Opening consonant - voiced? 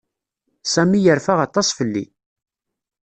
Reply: no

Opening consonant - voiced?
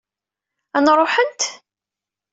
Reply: yes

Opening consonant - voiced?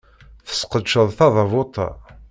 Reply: no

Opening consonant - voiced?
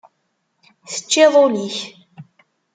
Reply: no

